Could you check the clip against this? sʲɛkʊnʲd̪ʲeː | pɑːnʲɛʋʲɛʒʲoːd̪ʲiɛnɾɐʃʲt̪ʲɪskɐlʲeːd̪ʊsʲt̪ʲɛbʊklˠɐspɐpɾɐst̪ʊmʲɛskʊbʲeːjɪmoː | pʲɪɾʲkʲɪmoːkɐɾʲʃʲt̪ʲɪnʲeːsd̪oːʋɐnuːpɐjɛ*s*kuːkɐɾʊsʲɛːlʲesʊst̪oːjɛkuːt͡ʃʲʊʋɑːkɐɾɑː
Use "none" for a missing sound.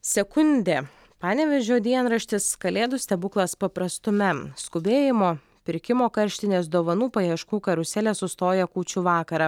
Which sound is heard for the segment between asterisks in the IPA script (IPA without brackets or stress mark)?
ʃ